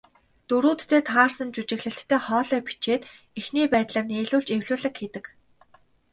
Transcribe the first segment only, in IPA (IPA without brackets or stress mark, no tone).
t̪